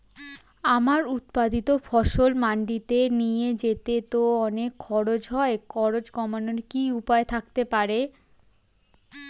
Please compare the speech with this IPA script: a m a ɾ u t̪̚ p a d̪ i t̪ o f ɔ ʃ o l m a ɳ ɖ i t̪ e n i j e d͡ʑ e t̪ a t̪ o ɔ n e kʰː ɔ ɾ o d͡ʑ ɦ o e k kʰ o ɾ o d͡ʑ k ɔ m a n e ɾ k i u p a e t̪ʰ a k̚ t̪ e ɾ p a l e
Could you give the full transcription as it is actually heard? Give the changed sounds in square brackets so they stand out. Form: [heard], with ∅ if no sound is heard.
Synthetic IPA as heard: a m a ɾ u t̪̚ p a d̪ i t̪ o f ɔ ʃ o l m a ɳ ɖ i t̪ e n i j e d͡ʑ e t̪ [e] t̪ o ɔ n e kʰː ɔ ɾ o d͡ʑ ɦ [ɔ] e k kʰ [ɔ] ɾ o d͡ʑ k ɔ m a n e ɾ k i u p a e t̪ʰ a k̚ t̪ e [∅] p a [ɾ] e